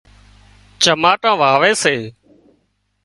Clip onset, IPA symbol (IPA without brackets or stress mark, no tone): t͡ʃ